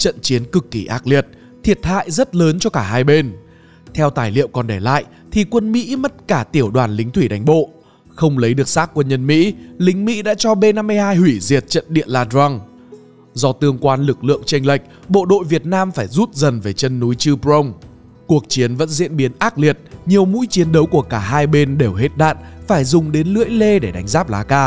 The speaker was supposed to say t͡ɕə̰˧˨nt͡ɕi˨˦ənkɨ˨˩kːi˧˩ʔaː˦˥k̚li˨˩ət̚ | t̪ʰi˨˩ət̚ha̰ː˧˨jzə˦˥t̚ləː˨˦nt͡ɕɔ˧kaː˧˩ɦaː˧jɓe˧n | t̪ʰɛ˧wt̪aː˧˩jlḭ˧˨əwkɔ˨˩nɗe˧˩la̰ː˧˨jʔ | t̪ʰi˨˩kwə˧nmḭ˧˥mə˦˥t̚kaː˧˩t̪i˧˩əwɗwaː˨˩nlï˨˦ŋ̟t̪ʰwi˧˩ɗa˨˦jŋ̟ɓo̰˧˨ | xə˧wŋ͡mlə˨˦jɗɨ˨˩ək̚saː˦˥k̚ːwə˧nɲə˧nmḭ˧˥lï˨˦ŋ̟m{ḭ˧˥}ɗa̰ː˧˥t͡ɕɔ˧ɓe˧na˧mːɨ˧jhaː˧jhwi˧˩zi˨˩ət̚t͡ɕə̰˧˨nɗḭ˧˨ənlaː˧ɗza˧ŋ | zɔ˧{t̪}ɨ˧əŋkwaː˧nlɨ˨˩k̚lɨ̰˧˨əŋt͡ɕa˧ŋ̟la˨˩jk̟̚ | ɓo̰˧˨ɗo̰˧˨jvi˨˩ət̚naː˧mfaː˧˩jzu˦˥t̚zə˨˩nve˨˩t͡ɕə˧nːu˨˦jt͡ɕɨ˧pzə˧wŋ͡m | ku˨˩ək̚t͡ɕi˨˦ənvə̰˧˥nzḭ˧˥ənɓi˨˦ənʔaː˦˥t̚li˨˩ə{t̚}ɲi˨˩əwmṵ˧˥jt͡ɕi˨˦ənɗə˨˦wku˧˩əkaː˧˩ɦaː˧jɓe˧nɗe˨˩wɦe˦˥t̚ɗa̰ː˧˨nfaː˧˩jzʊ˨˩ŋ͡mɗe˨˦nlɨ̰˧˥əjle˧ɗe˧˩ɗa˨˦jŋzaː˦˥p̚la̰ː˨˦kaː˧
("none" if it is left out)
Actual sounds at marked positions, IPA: ḭ˧˥, t̪, t̚

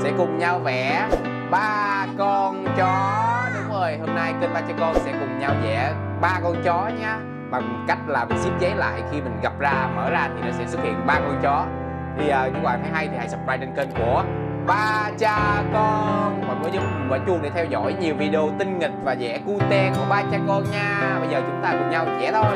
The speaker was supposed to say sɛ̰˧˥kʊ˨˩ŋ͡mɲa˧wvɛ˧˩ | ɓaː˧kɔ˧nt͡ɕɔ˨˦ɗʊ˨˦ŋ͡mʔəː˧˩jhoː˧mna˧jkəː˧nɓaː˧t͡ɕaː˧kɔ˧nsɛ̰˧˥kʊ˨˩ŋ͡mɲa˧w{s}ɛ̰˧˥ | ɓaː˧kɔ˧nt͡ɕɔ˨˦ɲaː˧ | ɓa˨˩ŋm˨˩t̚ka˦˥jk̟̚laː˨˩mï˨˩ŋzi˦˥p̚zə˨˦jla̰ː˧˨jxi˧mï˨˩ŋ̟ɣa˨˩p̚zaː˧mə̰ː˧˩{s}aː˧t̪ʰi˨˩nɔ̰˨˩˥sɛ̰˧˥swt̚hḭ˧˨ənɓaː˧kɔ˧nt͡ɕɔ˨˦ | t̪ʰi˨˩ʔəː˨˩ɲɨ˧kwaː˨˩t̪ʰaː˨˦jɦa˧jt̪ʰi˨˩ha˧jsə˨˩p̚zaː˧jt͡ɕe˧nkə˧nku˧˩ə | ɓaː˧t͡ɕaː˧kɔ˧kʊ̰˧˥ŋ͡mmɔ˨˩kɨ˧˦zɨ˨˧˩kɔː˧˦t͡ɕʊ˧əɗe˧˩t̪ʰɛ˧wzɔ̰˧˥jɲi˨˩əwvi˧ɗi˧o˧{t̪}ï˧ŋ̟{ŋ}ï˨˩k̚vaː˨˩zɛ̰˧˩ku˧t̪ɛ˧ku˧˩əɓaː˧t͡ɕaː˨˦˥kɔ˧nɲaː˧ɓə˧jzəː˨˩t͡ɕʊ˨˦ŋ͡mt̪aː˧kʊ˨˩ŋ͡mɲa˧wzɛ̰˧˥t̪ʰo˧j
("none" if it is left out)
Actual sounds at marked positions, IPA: z, z, t̪, ŋ

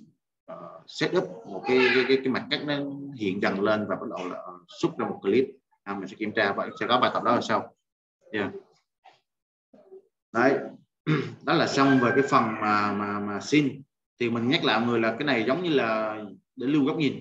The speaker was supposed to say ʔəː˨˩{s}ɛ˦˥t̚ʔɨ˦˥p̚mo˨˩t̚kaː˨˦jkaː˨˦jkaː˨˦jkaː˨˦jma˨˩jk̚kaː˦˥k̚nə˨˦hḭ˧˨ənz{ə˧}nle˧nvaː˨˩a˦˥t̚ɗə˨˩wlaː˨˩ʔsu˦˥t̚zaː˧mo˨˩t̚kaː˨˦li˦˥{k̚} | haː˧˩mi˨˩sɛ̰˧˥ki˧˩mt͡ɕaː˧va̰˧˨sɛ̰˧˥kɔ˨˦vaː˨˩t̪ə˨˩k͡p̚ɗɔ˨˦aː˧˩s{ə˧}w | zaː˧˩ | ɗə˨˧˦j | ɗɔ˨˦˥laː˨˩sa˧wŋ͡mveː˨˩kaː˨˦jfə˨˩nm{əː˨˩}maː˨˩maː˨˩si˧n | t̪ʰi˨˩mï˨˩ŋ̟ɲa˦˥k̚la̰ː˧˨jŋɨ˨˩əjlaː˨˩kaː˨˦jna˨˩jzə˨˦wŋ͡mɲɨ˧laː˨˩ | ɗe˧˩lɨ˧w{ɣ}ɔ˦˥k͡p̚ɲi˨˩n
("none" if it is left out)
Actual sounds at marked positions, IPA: s, ə˨˩, t̚, a˧, aː˨˩, ɣ

